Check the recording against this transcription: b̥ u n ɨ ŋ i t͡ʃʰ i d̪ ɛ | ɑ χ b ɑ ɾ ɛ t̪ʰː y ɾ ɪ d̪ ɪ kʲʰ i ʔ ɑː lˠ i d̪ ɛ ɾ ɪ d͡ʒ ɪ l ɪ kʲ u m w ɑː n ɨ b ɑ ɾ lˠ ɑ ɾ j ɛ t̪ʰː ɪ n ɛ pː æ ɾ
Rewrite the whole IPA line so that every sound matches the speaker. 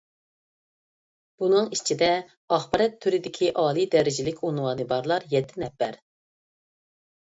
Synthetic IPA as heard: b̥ u n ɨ ŋ i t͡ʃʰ i d̪ ɛ | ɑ χ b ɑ ɾ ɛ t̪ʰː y ɾ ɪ d̪ ɪ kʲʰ i ʔ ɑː lˠ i d̪ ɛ ɾ ɪ d͡ʒ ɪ l ɪ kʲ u n w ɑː n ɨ b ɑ ɾ lˠ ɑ ɾ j ɛ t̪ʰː ɪ n ɛ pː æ ɾ